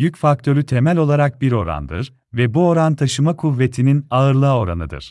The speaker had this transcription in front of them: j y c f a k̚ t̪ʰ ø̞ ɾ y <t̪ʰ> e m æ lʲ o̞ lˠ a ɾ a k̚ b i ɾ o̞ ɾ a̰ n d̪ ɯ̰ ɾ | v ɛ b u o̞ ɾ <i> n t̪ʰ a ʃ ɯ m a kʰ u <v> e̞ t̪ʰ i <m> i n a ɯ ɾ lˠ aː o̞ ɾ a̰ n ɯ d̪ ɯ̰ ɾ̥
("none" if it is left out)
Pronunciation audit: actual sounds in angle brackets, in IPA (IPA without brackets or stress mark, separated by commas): t̪ʰ, a, vː, n